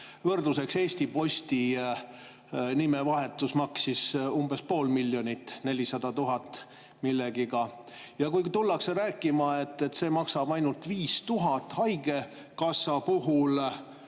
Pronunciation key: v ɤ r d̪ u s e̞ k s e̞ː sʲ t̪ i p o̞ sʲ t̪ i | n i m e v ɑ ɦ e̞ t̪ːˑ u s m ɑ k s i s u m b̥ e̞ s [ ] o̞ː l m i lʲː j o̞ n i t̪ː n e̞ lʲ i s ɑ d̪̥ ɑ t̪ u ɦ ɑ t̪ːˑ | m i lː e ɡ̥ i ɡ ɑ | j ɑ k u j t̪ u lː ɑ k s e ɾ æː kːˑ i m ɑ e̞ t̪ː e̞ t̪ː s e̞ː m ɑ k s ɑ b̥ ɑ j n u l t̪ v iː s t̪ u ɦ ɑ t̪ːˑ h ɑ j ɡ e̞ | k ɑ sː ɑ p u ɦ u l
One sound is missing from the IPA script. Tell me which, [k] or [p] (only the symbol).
p